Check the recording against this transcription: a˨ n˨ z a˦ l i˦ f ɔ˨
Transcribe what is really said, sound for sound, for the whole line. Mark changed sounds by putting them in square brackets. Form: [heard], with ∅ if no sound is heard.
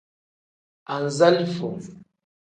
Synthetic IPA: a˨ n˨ z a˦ l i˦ f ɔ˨